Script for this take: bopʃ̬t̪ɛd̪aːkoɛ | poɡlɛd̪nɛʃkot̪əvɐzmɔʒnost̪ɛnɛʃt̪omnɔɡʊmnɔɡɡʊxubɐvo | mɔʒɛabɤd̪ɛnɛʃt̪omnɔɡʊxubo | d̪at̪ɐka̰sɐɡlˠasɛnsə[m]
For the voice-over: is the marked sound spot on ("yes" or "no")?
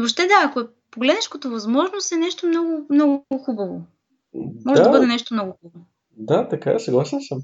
yes